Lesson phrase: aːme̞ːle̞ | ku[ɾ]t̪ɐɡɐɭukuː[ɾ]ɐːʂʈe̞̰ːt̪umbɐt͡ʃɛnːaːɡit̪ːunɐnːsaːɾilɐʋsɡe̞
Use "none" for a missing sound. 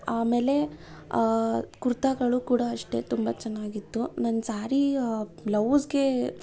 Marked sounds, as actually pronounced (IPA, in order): ɾ, ɽ

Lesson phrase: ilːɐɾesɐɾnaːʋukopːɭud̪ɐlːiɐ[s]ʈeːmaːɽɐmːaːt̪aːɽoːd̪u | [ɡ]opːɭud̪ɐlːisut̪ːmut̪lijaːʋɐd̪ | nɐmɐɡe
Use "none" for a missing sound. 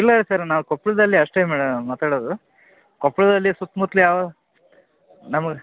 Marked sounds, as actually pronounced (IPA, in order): ʂ, k

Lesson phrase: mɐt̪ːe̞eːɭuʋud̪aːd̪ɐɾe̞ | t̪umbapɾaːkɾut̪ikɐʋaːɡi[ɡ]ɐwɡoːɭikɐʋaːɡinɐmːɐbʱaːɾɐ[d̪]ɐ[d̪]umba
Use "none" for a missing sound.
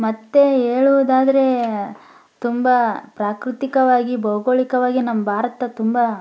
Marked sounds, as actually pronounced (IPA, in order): b, t̪, t̪

